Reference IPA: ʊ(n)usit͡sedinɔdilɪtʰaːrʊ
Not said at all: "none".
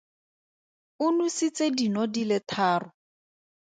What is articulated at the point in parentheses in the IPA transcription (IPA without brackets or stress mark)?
n